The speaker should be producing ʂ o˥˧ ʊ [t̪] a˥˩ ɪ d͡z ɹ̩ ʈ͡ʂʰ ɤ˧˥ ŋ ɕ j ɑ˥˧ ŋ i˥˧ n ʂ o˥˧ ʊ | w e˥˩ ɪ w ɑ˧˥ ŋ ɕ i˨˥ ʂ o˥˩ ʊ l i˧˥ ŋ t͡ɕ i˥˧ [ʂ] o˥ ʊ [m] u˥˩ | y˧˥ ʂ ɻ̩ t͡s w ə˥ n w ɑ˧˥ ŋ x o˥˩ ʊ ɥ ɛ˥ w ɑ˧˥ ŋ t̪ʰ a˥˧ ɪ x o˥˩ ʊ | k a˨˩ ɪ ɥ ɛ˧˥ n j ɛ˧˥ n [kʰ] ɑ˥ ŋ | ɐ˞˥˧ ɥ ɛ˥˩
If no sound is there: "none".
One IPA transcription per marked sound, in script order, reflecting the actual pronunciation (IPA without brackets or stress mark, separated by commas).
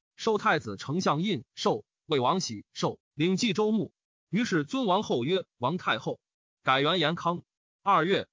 t̪ʰ, ʈ͡ʂ, m, kʰ